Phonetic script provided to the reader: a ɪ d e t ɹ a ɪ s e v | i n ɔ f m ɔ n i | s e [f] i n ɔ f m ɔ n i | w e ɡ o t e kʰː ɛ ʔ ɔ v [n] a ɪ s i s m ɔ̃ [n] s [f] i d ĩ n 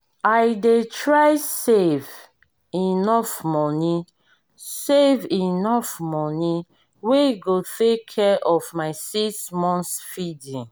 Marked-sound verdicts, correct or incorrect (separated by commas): incorrect, incorrect, correct, correct